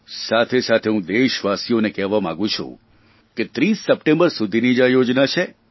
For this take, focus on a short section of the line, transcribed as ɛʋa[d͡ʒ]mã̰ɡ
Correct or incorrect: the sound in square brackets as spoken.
incorrect: none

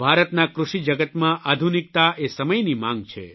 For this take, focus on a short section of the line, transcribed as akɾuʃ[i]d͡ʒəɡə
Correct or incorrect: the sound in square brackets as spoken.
correct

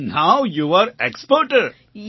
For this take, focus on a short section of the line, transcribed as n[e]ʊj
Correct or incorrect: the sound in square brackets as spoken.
incorrect: a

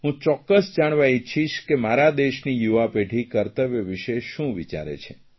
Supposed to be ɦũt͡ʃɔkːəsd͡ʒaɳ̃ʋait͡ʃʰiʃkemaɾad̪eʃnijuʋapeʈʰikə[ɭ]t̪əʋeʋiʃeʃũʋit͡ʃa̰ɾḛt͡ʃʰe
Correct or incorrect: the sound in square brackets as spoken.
incorrect: ɾ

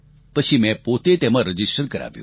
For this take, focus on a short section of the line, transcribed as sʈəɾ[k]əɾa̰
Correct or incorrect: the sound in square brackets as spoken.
correct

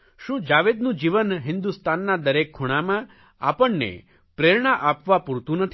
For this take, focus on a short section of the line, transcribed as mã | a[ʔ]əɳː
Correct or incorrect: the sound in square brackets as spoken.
incorrect: p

